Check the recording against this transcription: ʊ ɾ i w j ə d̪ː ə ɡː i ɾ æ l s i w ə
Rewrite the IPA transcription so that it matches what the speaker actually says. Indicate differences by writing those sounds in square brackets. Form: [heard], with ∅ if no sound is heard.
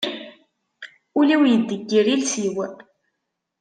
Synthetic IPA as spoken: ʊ [l] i w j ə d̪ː ə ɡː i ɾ [i] l s i w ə

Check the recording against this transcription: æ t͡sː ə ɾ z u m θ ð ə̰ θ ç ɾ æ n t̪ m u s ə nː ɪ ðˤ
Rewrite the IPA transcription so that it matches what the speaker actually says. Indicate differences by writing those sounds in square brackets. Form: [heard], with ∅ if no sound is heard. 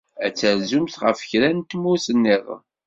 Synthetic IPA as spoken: æ t͡sː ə ɾ z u m θ [ʁ] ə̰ [f] ç ɾ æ n t̪ m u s ə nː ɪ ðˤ

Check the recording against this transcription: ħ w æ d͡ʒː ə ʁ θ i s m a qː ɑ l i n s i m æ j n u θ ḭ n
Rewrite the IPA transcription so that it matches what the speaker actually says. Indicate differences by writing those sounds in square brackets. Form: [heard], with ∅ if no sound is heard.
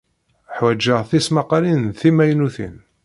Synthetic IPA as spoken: ħ w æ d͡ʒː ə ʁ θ i s m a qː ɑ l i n [θ] i m æ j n u θ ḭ n

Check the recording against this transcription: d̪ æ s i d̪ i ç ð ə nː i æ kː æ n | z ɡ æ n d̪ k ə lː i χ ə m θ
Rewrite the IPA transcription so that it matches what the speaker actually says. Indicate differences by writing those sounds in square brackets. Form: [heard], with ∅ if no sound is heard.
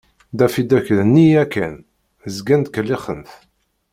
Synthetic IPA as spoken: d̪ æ [f] i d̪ [æ] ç ð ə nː i æ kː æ n | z ɡ æ n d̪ k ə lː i χ ə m θ

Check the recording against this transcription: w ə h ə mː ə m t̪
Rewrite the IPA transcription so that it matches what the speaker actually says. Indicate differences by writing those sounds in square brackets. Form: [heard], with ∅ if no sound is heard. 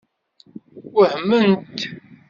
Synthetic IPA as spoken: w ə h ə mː ə [n] t̪

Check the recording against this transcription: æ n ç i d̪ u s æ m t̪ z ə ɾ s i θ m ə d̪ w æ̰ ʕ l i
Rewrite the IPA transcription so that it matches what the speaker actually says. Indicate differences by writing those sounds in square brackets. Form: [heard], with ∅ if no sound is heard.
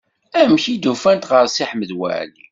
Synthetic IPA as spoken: æ [m] ç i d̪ u [f] æ [n] t̪ [ʁ] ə ɾ s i [ħ] m ə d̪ w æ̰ ʕ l i

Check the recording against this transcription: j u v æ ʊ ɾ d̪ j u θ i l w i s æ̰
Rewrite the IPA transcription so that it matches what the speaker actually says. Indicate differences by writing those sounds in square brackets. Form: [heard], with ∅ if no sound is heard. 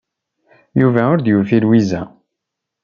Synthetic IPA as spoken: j u v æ ʊ ɾ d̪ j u [f] i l w i [z] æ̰

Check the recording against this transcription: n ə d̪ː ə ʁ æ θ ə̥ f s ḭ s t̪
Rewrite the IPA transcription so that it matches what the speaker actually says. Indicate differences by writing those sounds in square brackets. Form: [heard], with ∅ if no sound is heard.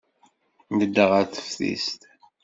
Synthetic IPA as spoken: n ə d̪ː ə ʁ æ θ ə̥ f [θ] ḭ s t̪

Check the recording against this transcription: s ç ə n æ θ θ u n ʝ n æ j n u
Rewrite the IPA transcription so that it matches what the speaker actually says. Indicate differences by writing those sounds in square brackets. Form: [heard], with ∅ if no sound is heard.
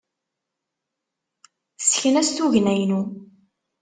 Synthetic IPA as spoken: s ç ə n æ [s] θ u [∅] ʝ n æ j n u

